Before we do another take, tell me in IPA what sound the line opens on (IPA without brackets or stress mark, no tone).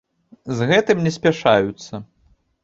z